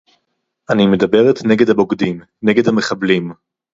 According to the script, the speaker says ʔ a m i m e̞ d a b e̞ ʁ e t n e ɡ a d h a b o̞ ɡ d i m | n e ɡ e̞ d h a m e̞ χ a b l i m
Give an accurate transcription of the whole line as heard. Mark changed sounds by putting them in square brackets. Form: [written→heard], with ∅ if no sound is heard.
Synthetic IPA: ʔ a [m→n] i m e̞ d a b e̞ ʁ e t n e ɡ [a→e] d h a b o̞ ɡ d i m | n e ɡ e̞ d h a m e̞ χ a b l i m